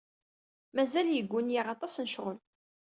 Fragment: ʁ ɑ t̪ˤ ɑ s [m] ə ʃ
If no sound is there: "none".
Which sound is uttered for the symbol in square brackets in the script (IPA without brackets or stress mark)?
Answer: n